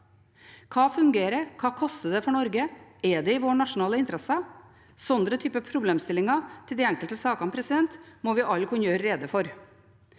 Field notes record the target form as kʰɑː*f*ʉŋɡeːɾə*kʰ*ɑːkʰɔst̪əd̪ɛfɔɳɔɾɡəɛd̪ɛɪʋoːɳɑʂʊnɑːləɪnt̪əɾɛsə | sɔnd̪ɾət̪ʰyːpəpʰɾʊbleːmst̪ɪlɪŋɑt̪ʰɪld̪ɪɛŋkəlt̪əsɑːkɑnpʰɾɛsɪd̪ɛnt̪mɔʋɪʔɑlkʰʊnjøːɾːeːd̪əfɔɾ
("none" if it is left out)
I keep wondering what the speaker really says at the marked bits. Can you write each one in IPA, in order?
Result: f, kʰ

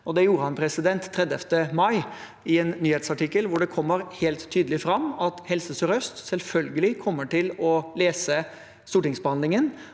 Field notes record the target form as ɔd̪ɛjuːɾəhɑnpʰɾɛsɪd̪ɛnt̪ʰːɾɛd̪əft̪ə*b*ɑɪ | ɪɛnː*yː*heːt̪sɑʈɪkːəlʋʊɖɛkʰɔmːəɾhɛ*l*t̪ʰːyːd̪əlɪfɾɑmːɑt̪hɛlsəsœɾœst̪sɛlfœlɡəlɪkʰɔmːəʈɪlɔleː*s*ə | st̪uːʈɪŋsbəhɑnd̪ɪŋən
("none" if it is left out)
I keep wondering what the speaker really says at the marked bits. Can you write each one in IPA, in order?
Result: m, yː, l, s

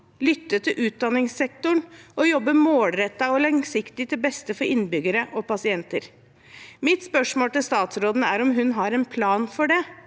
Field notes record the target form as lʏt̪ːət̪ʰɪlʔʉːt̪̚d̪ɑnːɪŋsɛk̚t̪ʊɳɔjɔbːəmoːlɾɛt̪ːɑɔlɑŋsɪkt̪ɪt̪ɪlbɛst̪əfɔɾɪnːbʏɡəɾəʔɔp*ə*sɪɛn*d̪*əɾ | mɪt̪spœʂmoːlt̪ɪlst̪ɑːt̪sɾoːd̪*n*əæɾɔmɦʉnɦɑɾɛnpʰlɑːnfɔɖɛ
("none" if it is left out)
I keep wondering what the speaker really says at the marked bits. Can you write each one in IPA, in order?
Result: ɑ, t̪, n

